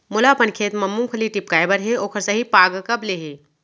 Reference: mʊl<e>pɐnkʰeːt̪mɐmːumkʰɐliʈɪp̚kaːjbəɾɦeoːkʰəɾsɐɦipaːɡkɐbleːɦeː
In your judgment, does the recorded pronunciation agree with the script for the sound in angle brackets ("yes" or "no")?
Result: no